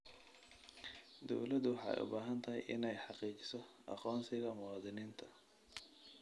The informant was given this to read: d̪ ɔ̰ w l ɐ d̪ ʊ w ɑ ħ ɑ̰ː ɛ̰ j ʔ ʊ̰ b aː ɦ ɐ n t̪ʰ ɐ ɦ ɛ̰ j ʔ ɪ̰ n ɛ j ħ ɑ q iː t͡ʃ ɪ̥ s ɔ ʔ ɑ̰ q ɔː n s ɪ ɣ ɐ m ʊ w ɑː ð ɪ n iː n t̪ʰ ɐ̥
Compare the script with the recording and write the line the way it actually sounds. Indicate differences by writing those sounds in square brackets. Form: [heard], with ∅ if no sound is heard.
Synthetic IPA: d̪ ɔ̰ w l ɐ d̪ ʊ w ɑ ħ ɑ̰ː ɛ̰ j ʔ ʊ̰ b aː ɦ ɐ n t̪ʰ ɐ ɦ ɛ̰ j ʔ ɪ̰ n ɛ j ħ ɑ q iː t͡ʃ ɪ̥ s ɔ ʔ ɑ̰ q ɔː n s ɪ ɣ ɐ m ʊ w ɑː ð ɪ n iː n t̪ʰ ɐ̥